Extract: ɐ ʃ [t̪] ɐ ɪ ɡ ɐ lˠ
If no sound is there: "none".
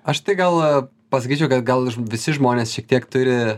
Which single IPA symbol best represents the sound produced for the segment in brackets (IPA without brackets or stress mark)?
t̪